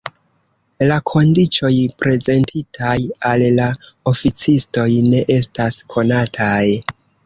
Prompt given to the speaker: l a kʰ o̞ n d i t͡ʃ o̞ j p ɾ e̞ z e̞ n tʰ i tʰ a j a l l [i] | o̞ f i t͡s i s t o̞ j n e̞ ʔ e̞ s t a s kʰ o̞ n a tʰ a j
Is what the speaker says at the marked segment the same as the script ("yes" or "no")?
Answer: no